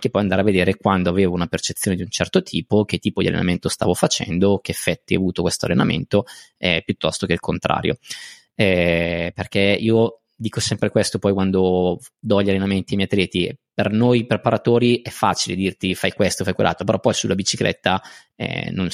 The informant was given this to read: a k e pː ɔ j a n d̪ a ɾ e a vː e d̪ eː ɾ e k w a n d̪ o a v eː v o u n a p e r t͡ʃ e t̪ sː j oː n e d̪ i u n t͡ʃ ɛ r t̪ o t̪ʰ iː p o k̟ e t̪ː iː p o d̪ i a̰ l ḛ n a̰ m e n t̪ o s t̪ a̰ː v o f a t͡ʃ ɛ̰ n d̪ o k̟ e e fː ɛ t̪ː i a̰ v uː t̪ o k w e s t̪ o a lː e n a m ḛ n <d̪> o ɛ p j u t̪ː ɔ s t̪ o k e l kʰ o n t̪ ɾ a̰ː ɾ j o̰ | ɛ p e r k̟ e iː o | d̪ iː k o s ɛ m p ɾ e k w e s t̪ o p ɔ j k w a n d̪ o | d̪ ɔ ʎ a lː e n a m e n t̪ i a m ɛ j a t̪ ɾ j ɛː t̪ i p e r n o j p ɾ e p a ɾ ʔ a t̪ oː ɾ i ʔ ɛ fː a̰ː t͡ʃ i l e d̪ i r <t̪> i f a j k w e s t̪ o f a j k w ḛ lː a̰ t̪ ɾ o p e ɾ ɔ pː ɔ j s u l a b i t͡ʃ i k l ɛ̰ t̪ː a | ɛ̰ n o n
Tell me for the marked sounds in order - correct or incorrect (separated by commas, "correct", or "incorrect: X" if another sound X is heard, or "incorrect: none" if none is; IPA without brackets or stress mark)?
incorrect: t̪, correct